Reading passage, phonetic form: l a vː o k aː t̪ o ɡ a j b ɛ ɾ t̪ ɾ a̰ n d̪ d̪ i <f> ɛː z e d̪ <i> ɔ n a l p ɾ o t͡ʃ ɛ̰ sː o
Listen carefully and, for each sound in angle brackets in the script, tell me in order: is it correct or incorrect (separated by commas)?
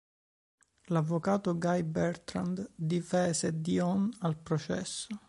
correct, correct